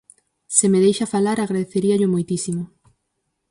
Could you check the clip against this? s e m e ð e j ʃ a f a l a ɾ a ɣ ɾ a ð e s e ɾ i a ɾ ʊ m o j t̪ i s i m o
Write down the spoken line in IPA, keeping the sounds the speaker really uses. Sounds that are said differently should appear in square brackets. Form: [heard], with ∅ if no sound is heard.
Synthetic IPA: s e m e ð e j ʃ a f a l a ɾ a ɣ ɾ a ð e [θ] e ɾ i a [ʎ] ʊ m o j t̪ i s i m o